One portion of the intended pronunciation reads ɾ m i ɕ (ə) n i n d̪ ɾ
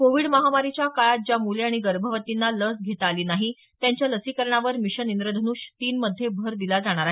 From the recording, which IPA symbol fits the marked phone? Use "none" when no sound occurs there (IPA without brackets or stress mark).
ə